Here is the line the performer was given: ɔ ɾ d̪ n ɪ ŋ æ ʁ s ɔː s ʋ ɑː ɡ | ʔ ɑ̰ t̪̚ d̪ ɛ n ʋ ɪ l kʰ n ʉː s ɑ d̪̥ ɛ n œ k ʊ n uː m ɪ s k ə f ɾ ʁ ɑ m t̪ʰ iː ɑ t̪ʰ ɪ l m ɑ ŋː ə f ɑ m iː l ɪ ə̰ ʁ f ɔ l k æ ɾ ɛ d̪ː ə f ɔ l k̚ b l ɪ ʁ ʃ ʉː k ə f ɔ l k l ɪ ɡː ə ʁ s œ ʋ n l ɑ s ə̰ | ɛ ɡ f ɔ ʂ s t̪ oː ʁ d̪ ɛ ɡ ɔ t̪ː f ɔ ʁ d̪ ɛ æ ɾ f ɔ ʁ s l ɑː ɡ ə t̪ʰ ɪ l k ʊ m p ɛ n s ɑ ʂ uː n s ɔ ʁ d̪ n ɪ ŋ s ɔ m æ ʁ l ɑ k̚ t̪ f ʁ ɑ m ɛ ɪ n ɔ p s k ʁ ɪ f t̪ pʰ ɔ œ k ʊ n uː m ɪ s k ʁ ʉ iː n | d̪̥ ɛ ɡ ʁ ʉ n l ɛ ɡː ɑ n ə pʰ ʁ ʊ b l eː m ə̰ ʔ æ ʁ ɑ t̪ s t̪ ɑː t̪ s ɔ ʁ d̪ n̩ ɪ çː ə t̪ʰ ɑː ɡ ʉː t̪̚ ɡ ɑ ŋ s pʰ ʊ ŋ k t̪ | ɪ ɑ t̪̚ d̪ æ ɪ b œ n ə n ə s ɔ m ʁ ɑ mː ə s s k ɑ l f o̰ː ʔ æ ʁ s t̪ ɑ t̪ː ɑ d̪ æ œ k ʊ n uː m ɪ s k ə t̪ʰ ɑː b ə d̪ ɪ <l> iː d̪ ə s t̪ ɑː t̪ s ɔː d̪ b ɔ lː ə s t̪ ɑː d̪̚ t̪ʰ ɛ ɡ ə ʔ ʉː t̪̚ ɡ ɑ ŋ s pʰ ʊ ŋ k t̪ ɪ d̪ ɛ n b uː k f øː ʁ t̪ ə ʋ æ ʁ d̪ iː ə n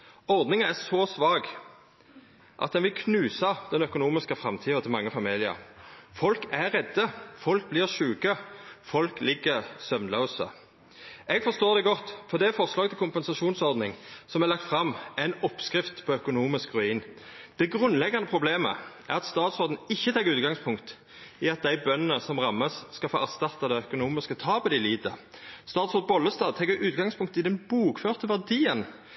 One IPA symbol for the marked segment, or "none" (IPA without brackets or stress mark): l